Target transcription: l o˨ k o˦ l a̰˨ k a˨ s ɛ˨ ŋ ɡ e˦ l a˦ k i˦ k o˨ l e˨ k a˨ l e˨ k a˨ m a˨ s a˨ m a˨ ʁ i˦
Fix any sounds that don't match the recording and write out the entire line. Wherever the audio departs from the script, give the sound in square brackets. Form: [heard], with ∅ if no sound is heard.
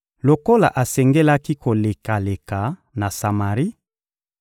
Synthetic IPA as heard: l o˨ k o˦ l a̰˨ [ʔ] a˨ s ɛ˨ ŋ ɡ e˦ l a˦ k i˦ k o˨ l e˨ k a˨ l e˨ k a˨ [n] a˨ s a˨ m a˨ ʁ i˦

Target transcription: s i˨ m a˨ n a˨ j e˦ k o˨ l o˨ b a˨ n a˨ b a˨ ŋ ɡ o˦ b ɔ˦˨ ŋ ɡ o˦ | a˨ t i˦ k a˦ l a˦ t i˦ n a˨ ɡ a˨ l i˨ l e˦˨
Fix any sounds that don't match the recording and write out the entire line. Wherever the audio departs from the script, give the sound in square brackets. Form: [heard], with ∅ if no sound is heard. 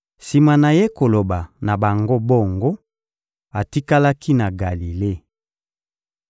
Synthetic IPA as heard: s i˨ m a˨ n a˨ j e˦ k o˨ l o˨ b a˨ n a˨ b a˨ ŋ ɡ o˦ b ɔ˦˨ ŋ ɡ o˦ | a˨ t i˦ k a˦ l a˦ [k] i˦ n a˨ ɡ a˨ l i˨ l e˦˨

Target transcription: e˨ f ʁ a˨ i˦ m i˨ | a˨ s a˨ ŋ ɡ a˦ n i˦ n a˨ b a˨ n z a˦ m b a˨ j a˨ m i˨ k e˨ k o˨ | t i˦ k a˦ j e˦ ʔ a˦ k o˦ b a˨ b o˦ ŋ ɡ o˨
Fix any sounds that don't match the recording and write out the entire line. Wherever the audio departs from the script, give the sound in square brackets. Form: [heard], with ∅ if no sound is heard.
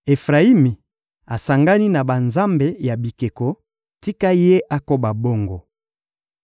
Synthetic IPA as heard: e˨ f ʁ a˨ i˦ m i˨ | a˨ s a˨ ŋ ɡ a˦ n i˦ n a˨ b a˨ n z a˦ m b [e˨] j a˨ [b] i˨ k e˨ k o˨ | t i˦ k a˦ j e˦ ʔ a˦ k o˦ b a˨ b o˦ ŋ ɡ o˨

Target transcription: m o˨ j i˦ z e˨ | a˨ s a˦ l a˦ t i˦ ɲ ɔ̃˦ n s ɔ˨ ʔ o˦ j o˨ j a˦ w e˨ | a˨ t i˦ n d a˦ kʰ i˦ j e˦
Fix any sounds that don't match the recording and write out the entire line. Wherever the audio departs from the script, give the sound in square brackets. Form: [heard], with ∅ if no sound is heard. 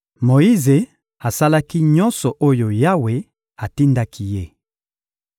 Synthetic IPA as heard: m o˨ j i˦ z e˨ | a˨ s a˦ l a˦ [k] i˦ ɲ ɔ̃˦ n s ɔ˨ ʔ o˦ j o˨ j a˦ w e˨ | a˨ t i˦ n d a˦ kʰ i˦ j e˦

